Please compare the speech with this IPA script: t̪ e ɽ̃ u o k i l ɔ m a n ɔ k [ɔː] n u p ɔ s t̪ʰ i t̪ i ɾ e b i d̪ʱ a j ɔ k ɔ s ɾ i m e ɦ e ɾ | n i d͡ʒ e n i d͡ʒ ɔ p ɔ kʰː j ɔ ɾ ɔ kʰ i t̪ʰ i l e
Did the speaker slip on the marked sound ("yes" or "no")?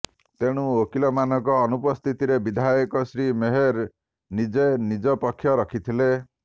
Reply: no